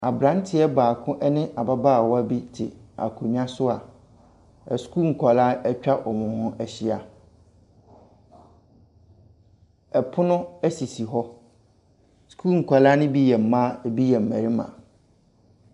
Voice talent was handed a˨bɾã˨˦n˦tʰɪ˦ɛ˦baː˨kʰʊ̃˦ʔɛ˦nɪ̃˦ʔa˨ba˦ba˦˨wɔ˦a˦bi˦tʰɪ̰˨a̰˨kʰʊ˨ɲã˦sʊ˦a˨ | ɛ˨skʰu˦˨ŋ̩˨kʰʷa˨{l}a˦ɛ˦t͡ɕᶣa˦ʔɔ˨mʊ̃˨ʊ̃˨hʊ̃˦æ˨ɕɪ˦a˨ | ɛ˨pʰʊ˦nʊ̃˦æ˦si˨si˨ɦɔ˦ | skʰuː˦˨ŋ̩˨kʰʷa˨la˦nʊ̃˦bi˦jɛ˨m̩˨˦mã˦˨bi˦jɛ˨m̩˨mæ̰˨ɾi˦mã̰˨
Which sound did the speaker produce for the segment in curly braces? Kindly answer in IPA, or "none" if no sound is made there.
l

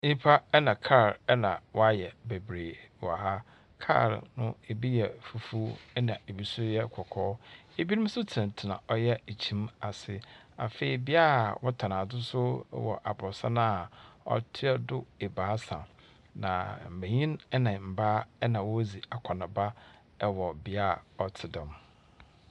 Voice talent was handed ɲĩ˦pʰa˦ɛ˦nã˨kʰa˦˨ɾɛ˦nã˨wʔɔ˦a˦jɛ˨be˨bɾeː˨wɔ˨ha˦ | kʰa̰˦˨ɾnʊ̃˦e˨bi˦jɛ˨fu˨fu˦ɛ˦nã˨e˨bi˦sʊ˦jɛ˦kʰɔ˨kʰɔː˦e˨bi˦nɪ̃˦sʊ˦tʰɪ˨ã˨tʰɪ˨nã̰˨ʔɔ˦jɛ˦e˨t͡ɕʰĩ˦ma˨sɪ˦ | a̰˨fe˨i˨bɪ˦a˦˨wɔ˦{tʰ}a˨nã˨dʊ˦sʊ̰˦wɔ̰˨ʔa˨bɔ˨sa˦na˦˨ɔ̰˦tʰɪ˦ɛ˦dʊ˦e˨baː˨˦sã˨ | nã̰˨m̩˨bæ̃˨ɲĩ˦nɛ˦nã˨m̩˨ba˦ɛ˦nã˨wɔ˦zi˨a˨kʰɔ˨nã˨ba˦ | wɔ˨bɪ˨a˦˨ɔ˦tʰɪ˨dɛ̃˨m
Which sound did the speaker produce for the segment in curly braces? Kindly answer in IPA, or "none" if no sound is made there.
tʰ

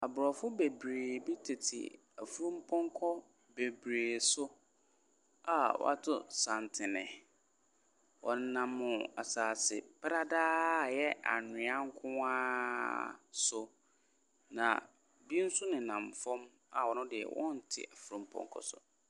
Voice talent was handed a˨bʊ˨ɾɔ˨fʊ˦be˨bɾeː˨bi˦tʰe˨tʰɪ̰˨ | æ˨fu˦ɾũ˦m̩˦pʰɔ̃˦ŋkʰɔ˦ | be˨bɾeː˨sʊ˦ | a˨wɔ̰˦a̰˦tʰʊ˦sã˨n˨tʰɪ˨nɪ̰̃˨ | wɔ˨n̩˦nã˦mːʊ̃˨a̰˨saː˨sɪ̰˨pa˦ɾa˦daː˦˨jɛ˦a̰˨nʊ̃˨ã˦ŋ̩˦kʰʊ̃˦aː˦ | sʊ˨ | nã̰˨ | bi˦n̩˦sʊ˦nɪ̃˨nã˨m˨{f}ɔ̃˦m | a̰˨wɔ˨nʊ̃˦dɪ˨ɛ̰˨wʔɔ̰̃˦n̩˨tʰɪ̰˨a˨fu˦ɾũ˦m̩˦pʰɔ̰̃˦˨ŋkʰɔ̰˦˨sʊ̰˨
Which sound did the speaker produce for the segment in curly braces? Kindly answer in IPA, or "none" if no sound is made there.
f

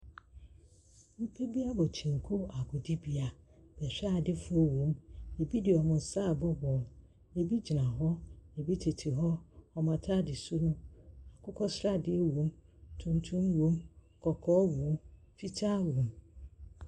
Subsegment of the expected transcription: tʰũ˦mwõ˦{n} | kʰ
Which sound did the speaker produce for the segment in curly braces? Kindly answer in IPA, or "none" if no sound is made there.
m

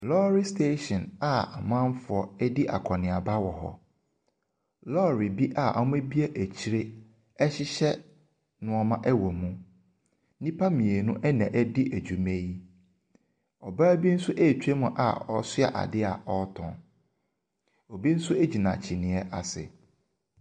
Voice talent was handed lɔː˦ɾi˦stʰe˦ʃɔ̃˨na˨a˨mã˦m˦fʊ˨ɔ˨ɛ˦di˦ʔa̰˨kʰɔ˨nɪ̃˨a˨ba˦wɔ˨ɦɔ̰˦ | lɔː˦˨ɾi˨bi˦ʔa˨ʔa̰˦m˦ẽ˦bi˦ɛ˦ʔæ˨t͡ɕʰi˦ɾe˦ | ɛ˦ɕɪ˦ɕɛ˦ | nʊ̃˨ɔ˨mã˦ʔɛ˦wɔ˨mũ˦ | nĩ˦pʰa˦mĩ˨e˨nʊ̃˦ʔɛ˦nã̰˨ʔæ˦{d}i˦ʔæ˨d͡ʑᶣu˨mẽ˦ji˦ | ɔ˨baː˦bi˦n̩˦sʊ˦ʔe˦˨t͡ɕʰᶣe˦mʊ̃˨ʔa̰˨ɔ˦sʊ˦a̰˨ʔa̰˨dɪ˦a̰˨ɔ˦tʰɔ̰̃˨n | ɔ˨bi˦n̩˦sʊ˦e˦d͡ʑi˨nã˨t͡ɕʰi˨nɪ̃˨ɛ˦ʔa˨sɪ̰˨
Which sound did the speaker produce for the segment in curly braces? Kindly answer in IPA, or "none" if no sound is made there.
d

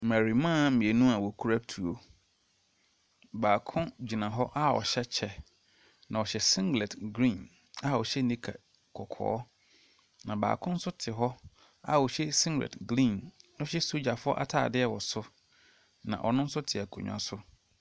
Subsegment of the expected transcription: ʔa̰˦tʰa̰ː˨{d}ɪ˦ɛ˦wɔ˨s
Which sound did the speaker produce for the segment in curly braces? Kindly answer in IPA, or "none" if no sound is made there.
d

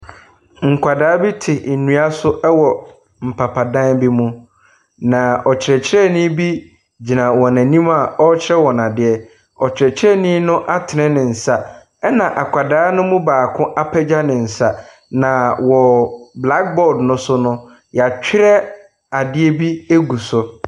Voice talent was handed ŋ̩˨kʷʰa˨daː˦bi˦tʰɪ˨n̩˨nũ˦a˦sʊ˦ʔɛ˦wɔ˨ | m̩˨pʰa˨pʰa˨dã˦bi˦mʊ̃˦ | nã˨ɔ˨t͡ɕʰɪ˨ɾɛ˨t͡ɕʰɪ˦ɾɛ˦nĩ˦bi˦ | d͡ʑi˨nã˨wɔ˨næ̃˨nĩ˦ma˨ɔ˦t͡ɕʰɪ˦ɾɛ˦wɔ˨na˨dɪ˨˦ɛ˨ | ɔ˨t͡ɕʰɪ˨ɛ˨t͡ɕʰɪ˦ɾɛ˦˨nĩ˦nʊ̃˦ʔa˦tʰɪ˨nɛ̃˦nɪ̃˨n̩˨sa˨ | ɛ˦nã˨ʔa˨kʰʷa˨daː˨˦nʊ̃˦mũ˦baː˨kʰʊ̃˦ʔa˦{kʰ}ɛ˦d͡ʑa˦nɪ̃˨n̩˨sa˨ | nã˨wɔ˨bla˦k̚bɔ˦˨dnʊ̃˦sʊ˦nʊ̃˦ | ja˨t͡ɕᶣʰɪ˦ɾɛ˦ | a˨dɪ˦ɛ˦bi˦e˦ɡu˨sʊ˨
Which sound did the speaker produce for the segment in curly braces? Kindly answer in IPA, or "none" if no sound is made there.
pʰ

